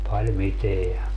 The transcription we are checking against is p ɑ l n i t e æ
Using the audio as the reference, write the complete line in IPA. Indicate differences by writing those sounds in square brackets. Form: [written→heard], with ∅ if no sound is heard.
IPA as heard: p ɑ l [n→m] i t e æ